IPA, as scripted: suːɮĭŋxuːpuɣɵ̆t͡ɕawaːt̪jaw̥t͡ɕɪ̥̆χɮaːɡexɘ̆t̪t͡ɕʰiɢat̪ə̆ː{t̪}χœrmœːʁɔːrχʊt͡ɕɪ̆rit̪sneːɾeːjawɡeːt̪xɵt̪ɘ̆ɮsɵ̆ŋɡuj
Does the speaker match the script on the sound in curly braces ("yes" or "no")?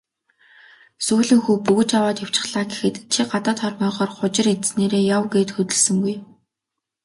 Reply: yes